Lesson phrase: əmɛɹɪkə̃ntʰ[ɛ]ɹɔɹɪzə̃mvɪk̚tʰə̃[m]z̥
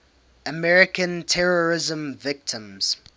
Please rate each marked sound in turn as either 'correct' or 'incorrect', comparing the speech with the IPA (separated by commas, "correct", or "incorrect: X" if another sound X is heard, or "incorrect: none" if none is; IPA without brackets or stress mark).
correct, correct